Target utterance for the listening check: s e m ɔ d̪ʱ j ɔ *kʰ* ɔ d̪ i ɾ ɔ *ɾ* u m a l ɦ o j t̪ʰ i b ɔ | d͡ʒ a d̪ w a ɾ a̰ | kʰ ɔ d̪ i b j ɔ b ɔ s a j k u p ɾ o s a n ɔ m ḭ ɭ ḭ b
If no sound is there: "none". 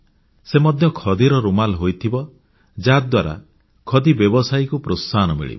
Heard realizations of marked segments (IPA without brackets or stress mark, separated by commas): kʰ, ɾ